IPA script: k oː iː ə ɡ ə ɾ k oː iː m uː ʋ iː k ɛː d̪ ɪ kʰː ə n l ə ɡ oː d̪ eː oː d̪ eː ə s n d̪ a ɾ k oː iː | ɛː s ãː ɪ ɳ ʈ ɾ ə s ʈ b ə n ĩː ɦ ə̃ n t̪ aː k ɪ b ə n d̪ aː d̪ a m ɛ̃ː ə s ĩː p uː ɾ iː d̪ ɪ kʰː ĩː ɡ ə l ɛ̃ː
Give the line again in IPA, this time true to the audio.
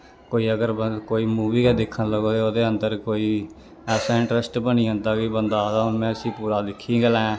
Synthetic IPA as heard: k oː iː ə ɡ ə ɾ k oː iː m uː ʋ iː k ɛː d̪ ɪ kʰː ə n l ə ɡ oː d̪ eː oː d̪ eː ə n d̪ ə ɾ k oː iː | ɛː s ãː ɪ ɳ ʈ ɾ ə s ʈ b ə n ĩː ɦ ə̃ n d̪ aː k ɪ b ə n d̪ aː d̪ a m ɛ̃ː ə s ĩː p uː ɾ aː d̪ ɪ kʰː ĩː ɡ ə l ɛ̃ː